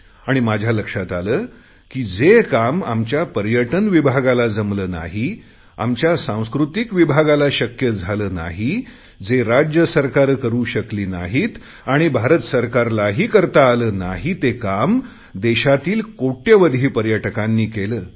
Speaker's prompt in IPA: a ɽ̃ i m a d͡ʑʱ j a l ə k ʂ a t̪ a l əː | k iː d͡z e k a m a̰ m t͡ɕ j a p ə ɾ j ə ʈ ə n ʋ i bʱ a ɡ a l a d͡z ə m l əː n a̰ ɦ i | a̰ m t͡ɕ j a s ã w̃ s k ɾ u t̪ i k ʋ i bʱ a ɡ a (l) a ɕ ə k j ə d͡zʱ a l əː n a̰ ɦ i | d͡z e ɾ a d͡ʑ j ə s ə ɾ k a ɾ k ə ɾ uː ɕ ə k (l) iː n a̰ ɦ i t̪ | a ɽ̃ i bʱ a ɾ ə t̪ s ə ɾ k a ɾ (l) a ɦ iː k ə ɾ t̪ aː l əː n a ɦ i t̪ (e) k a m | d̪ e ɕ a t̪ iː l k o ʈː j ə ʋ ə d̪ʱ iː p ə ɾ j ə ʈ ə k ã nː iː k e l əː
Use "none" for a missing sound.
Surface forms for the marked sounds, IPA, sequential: l, l, l, e

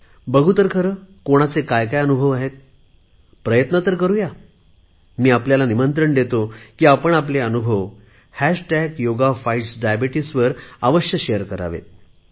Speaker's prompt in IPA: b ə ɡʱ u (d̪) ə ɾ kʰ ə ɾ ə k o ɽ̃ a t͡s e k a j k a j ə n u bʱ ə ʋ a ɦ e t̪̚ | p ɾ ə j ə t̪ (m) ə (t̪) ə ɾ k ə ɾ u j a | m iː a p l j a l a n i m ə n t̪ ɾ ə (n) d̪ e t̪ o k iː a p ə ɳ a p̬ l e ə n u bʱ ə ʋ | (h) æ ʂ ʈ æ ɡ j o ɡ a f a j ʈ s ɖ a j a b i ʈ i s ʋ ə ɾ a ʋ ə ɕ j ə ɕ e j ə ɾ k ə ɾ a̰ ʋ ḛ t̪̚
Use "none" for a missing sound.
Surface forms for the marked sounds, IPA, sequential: t̪, n, t̪, ɳ, h

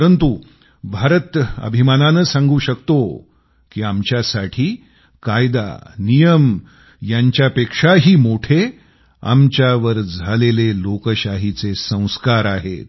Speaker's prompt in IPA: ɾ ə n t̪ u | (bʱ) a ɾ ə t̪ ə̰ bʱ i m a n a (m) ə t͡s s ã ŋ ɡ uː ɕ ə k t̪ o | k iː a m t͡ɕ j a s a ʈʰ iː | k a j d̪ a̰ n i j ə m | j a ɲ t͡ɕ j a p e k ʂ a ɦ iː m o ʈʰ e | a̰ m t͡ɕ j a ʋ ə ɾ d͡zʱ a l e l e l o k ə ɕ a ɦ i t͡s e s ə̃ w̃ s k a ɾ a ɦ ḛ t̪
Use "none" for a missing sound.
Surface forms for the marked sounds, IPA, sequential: bʱ, n

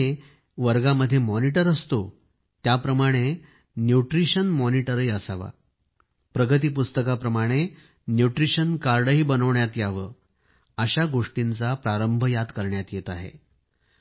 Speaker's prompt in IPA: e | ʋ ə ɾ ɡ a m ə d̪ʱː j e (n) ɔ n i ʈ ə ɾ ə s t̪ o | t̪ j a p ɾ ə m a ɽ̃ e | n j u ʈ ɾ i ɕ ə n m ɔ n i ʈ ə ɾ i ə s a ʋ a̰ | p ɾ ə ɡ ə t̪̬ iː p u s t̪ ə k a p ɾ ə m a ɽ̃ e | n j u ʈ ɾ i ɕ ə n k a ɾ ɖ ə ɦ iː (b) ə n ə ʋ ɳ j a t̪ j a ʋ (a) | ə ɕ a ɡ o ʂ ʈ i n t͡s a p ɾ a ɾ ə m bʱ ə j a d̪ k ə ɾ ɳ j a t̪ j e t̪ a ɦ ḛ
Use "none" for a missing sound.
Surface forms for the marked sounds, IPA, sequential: m, b, ə

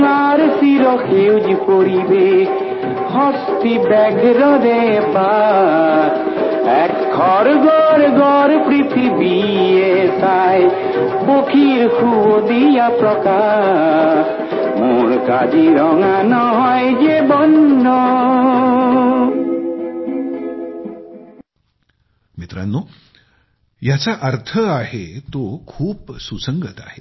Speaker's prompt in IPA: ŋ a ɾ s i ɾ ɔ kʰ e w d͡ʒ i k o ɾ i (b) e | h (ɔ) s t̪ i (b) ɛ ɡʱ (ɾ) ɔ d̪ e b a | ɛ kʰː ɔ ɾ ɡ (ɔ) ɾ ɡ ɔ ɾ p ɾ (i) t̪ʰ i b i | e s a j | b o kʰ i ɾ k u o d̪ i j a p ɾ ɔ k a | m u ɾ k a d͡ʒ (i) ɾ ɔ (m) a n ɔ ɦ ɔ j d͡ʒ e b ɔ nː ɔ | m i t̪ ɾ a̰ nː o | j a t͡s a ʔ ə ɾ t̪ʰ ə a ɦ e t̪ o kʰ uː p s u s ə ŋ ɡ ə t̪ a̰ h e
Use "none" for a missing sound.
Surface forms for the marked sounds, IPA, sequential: b, ɔ, b, ɾ, ɔ, i, i, ŋ

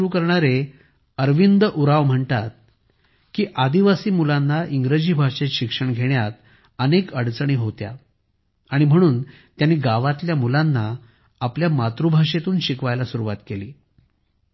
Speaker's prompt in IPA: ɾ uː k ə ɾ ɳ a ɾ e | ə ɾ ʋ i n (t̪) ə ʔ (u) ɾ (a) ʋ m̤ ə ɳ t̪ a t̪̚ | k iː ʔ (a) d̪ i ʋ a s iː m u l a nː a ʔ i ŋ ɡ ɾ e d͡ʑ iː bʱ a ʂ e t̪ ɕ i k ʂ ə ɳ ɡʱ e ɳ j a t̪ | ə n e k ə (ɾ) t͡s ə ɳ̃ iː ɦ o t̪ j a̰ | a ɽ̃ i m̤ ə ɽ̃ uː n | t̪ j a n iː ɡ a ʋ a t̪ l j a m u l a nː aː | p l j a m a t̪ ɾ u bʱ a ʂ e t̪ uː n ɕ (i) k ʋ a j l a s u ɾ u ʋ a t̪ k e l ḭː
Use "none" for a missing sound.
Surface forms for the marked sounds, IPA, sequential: d̪, u, a, a, ɽ, i

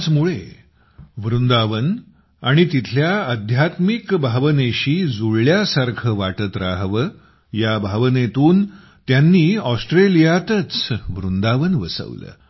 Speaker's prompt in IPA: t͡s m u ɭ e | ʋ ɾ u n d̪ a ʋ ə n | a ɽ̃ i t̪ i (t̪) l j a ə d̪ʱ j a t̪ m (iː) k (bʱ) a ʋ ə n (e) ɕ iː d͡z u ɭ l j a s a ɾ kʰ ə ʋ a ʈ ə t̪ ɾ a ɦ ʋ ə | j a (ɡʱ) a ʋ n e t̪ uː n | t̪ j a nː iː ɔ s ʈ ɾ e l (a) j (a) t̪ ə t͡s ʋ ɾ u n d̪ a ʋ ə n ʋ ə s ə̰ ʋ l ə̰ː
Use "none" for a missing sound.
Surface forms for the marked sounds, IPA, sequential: t̪ʰ, i, bʱ, e, bʱ, i, a

